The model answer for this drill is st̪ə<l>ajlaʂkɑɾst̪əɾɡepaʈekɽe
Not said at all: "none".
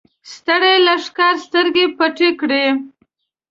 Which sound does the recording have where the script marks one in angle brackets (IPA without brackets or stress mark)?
ɽ